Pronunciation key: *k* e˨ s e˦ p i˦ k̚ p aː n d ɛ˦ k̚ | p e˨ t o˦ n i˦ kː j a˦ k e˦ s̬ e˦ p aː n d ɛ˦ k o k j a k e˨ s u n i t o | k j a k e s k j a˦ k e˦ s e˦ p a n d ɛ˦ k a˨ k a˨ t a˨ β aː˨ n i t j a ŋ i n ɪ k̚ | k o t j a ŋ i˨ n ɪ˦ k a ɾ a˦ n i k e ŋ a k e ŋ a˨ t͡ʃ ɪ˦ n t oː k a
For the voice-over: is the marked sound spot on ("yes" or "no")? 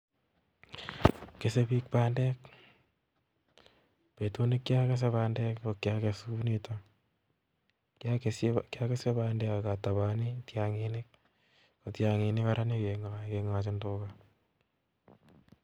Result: yes